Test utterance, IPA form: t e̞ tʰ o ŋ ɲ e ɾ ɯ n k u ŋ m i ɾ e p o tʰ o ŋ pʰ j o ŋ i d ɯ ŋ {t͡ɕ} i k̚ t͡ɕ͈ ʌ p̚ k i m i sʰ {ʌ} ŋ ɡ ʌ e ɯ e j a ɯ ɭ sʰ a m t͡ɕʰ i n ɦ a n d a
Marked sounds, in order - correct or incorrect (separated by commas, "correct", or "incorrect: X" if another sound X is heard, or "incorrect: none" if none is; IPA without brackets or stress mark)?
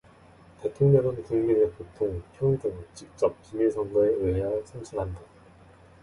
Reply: correct, correct